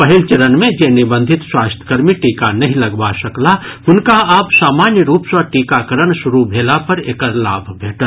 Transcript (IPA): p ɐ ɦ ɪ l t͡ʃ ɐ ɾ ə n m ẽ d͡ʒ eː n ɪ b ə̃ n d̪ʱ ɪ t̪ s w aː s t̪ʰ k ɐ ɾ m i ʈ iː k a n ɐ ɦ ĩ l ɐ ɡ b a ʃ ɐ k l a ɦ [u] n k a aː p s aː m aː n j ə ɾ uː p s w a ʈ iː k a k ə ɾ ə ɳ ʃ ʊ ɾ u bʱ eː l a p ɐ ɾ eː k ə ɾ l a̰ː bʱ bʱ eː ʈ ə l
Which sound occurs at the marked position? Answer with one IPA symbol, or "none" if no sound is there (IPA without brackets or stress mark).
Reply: ʊ